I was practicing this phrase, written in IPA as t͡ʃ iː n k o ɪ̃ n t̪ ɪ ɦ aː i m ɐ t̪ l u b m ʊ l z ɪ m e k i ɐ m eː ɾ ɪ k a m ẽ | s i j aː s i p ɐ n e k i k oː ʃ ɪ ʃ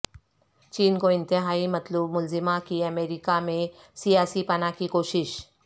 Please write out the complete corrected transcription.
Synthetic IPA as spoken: t͡ʃ iː n k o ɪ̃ n t̪ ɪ ɦ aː i m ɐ t̪ l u b m ʊ l z ɪ m a k i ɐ m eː ɾ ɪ k a m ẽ | s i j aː s i p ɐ n a k i k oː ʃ ɪ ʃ